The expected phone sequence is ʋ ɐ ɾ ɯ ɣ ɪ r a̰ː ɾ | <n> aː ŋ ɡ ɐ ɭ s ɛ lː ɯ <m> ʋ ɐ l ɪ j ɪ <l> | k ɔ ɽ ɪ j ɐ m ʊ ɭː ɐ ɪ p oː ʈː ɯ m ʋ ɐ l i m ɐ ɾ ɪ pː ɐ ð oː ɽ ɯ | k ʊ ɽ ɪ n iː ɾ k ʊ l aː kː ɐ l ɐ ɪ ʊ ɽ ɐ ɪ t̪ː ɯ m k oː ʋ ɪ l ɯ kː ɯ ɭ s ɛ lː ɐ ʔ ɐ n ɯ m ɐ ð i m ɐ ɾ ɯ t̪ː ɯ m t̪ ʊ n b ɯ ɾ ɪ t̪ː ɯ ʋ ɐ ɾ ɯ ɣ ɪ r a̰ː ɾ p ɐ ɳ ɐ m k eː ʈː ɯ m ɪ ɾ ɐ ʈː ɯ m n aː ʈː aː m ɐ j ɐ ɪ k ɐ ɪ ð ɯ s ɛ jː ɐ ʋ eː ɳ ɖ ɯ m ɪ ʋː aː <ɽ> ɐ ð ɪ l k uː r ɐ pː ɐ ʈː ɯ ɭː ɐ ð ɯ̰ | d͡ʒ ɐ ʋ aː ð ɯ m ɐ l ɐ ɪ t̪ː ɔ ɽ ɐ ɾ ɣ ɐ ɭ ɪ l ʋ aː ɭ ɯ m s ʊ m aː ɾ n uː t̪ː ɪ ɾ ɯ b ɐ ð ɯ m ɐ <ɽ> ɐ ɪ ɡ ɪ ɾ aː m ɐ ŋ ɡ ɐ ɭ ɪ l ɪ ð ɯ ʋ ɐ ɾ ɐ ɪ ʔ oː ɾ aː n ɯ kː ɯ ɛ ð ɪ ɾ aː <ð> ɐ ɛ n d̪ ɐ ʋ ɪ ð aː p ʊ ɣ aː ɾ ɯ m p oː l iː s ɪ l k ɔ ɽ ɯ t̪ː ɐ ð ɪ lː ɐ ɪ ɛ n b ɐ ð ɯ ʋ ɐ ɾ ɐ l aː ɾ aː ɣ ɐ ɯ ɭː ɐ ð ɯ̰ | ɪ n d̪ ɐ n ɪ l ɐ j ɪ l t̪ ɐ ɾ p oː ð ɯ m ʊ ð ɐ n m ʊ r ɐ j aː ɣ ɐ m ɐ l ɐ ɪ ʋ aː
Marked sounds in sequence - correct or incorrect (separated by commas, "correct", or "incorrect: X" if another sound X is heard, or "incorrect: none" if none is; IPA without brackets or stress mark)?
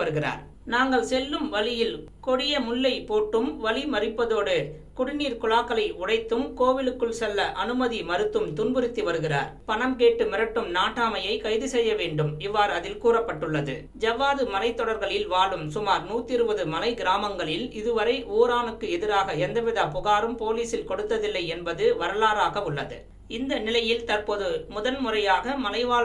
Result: correct, correct, correct, incorrect: ɾ, incorrect: l, incorrect: ɣ